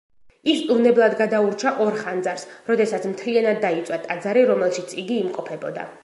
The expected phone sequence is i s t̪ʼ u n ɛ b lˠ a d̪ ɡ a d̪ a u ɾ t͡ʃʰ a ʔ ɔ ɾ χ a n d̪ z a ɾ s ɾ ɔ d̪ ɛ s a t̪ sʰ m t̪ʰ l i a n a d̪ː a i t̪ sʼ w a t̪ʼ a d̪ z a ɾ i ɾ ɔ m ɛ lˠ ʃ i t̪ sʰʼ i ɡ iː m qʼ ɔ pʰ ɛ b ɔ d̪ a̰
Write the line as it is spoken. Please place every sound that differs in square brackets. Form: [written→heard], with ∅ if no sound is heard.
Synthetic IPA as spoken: i s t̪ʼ u n ɛ b lˠ a d̪ ɡ a d̪ a u ɾ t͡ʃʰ a ʔ ɔ ɾ χ a n d̪ z a ɾ s ɾ ɔ d̪ ɛ s a t̪ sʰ m t̪ʰ l i a n a d̪ː a i t̪ sʼ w a t̪ʼ a d̪ z a ɾ i ɾ ɔ m ɛ lˠ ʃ i t̪ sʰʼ i ɡ iː m qʼ ɔ pʰ ɛ b ɔ d̪ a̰